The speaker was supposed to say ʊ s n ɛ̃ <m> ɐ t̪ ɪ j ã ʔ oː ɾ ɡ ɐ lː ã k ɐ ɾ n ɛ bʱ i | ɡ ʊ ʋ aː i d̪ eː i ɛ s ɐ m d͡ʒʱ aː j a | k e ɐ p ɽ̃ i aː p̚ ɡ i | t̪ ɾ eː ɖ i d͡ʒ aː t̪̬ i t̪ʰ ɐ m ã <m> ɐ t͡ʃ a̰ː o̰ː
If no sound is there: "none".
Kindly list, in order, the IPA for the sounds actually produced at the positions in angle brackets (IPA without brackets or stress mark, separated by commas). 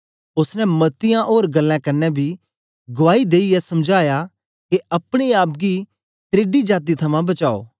m, b